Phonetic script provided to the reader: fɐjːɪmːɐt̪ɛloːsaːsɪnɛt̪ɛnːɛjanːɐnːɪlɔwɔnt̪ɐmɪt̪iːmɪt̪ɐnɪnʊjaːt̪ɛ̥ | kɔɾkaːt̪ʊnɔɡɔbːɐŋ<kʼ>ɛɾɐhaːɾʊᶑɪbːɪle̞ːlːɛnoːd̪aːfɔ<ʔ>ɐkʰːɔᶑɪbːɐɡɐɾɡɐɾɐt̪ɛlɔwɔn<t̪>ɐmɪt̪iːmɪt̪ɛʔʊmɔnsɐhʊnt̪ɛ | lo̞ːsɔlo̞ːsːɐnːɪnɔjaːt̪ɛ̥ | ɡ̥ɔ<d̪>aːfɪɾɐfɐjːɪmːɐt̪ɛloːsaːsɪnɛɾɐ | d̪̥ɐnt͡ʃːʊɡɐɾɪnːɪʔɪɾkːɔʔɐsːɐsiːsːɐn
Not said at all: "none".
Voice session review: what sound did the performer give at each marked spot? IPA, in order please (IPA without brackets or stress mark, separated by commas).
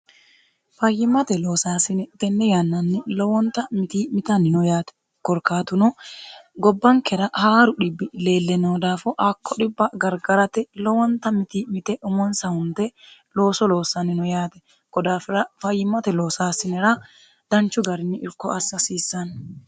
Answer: k, ʔ, t̪, d̪